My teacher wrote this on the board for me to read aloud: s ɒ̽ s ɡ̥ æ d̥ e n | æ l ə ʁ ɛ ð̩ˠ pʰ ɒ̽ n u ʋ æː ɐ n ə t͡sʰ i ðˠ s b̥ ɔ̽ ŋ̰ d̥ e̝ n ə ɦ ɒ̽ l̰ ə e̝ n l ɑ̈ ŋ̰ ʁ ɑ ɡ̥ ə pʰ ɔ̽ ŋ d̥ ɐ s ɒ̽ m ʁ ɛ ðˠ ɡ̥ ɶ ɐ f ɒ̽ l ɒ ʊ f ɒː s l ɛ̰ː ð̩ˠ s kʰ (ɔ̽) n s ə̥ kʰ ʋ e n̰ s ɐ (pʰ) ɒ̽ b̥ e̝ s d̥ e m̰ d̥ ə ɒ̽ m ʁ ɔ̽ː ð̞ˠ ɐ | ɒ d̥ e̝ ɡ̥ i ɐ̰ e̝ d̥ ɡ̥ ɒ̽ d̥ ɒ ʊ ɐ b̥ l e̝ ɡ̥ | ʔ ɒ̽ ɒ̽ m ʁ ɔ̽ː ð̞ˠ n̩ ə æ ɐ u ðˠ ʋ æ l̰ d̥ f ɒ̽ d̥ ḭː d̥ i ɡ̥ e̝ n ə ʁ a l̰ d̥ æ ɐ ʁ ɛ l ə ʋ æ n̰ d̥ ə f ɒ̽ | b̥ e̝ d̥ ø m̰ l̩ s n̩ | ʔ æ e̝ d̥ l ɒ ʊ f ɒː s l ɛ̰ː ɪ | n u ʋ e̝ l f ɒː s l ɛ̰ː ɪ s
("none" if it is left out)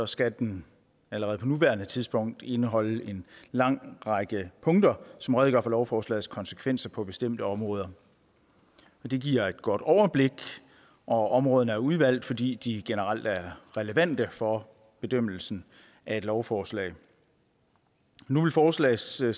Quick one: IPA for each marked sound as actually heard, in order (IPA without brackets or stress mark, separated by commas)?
ɒ̽, pʰ